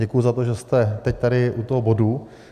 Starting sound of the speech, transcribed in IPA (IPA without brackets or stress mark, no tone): ɛ